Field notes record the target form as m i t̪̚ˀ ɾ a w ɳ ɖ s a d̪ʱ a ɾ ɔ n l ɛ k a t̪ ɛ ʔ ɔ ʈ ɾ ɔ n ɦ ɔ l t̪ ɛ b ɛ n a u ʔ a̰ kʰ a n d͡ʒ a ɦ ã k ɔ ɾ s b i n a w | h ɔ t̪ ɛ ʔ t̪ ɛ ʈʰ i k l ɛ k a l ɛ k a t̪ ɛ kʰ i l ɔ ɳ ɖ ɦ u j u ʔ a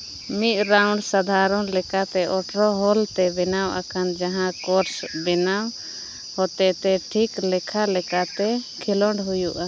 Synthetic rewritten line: m i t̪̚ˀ ɾ a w ɳ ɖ s a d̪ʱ a ɾ ɔ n l ɛ k a t̪ ɛ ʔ ɔ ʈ ɾ ɔ ɦ ɔ l t̪ ɛ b ɛ n a w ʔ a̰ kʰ a n d͡ʒ a ɦ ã k ɔ ɾ s b ɛ n a w | h ɔ t̪ ɛ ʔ t̪ ɛ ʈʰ i k l ɛ kʰ a l ɛ k a t̪ ɛ kʰ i l ɔ ɳ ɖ ɦ u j u ʔ a